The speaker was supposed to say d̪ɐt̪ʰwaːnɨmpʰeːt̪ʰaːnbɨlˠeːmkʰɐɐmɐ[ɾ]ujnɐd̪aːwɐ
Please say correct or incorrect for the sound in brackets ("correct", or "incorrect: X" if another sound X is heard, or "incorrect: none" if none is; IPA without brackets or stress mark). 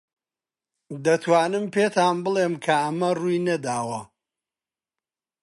incorrect: r